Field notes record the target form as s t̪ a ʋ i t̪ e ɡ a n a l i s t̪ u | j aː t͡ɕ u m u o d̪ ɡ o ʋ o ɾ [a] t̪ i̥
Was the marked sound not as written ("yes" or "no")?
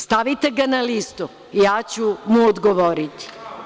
yes